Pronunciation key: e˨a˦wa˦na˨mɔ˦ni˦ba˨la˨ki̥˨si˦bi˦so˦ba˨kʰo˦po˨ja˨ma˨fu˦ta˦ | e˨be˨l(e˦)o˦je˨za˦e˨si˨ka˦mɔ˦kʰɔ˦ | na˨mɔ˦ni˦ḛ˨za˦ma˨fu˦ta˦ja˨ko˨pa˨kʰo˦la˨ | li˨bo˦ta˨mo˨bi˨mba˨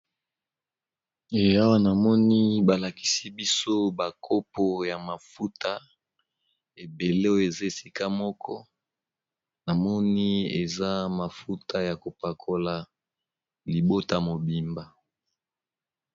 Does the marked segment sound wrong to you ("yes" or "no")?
no